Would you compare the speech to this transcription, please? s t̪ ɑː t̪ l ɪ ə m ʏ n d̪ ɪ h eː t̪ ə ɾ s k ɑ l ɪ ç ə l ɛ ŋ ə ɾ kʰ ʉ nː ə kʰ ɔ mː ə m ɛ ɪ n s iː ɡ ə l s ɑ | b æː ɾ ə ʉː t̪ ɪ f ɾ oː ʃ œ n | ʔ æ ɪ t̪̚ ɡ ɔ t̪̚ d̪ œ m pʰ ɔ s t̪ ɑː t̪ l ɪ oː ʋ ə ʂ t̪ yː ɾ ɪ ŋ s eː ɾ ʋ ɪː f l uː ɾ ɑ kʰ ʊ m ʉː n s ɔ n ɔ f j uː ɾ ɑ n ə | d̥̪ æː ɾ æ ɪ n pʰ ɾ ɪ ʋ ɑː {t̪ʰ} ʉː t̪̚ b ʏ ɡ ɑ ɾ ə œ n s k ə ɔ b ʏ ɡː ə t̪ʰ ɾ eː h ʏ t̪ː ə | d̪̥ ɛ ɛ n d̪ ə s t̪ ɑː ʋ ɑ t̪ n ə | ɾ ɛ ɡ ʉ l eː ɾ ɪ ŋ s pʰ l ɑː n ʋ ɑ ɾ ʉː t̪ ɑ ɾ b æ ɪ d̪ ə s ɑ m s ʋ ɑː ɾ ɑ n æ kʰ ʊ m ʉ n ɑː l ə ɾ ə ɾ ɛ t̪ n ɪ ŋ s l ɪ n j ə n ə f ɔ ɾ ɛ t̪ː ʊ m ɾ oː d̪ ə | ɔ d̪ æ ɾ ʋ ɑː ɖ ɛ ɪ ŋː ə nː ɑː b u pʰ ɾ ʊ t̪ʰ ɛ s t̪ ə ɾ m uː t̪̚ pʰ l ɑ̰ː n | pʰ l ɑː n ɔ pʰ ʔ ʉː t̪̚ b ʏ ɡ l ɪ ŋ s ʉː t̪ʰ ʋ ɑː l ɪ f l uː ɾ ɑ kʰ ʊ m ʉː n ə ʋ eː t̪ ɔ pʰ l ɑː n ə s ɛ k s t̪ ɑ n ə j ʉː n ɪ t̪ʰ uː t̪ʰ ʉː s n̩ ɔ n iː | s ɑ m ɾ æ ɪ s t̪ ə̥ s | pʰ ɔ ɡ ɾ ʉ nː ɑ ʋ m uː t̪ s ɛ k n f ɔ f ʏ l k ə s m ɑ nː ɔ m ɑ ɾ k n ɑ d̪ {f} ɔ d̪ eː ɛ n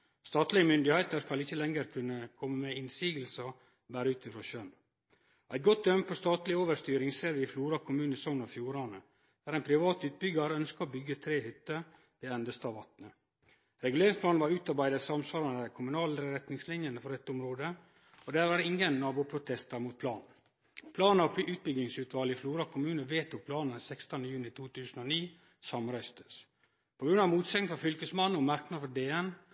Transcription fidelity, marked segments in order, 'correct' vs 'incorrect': incorrect: t̪, correct

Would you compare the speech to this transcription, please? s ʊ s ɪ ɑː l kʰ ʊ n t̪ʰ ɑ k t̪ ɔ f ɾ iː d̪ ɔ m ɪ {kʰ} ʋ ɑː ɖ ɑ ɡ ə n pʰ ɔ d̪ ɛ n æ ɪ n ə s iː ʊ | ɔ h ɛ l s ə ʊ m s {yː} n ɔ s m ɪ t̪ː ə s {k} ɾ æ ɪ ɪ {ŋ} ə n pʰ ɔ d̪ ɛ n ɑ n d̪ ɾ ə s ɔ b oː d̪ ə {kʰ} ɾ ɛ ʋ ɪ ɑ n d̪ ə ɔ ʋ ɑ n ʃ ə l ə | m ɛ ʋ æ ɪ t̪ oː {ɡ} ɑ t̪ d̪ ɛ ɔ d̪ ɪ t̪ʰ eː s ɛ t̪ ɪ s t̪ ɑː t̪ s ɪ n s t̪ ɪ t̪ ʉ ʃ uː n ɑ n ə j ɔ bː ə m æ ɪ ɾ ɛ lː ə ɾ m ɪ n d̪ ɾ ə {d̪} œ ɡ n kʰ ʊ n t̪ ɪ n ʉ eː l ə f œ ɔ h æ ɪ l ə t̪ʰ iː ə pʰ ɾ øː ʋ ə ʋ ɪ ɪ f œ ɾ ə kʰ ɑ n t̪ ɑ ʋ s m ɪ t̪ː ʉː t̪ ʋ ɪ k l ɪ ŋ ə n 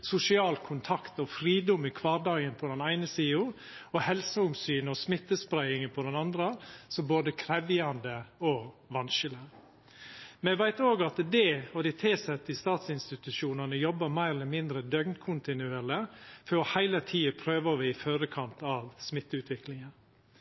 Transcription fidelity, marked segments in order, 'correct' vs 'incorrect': correct, correct, incorrect: p, correct, correct, correct, correct

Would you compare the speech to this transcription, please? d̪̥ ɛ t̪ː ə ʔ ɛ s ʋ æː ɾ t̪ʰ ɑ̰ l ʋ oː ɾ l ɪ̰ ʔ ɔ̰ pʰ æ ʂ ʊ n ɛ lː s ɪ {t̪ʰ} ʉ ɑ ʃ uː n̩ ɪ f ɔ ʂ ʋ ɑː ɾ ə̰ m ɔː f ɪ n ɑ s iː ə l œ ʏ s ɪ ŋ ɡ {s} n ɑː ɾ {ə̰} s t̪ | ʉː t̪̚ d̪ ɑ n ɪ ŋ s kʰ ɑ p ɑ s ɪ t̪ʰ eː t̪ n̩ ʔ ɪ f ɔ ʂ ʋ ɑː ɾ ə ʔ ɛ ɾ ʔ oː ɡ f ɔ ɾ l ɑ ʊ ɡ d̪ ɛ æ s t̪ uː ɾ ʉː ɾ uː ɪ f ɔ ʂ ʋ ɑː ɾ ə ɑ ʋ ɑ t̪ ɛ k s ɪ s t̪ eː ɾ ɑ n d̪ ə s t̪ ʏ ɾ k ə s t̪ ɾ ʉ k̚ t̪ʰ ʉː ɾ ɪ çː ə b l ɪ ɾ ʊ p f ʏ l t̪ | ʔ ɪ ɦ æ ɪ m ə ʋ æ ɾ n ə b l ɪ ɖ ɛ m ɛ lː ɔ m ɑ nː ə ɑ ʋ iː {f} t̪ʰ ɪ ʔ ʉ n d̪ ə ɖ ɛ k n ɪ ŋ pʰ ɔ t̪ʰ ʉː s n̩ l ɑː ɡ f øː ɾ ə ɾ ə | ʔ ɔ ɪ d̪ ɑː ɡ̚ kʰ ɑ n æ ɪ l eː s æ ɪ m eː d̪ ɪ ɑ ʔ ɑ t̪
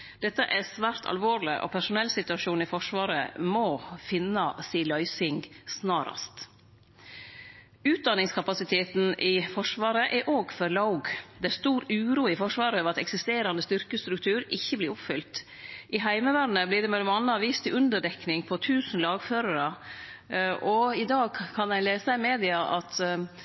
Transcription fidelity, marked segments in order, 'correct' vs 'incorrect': incorrect: t̪, correct, incorrect: ɑ̰, incorrect: s

